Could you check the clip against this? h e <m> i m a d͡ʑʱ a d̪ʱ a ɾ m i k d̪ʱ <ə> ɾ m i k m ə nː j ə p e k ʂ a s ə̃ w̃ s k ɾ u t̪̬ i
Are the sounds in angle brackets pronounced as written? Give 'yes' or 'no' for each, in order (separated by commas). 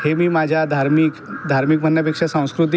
yes, no